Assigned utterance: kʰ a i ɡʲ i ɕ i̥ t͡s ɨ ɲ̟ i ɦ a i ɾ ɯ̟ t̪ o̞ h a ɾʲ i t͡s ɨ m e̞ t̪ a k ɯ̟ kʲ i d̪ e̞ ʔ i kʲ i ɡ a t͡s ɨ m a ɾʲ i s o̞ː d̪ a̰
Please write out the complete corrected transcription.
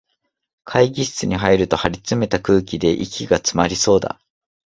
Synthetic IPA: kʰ a i ɡʲ i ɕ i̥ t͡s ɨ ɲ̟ i ɦ a i ɾ ɯ̟ t̪ o̞ h a ɾʲ i t͡s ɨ m e̞ t̪ a k ɯ̟ː kʲ i d̪ e̞ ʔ i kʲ i ɡ a t͡s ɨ m a ɾʲ i s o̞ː d̪ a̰